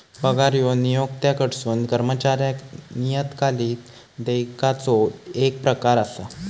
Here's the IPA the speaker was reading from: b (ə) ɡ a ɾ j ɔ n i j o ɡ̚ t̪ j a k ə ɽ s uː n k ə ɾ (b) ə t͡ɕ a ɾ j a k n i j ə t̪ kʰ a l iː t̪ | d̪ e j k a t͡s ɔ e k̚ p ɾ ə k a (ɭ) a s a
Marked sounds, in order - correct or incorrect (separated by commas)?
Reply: correct, incorrect, incorrect